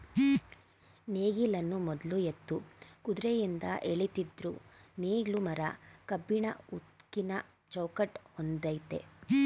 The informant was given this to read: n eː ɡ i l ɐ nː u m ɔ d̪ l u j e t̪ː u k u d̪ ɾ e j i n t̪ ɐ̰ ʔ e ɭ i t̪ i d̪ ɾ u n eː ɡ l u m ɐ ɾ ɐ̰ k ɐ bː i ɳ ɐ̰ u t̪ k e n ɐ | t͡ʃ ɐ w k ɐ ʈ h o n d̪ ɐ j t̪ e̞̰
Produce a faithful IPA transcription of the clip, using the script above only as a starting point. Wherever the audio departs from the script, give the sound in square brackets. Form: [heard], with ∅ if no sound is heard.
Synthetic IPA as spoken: n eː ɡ i l ɐ nː u m ɔ d̪ l u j e t̪ː u k u d̪ ɾ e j i n [d̪] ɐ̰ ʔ e ɭ i t̪ i d̪ ɾ u n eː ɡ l u m ɐ ɾ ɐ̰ k ɐ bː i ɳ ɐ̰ u t̪ k [i] n ɐ | t͡ʃ ɐ w k ɐ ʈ h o n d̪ ɐ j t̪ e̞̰